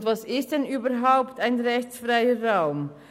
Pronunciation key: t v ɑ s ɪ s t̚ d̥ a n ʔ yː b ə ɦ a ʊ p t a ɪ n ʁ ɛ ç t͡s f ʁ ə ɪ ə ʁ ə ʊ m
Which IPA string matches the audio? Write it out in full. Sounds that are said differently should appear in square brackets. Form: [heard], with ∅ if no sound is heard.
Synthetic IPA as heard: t v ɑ s ɪ s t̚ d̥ [ɛ] n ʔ yː b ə ɦ a ʊ p t a ɪ n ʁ ɛ ç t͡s f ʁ [a] ɪ ə ʁ [a] ʊ m